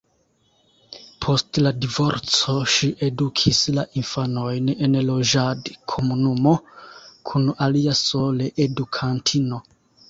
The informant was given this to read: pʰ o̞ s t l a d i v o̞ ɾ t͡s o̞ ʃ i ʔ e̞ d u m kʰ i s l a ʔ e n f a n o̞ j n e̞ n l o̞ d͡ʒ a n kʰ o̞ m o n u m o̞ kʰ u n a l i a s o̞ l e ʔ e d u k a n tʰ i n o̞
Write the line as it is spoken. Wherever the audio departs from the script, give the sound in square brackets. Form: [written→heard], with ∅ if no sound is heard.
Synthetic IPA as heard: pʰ o̞ s t l a d i v o̞ ɾ t͡s o̞ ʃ i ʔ e̞ d u [m→∅] kʰ i s l a ʔ [e→i] n f a n o̞ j n e̞ n l o̞ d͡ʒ a [n→d] kʰ o̞ m [o→u] n u m o̞ kʰ u n a l i a s o̞ l e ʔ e d u [k→kʰ] a n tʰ i n o̞